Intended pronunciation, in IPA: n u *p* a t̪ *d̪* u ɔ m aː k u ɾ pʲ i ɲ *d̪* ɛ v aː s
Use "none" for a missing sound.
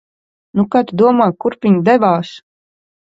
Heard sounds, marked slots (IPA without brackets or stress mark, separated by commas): k, d̪, d̪